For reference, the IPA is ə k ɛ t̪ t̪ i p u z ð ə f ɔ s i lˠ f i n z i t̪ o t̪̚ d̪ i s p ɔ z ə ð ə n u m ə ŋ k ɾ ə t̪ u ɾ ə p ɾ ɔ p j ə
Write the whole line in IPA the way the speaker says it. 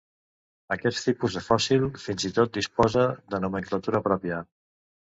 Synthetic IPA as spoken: ə k ɛ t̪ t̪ i p u z ð ə f ɔ s i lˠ f i n z i t̪ o t̪̚ d̪ i s p ɔ z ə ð ə n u m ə ŋ k l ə t̪ u ɾ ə p ɾ ɔ p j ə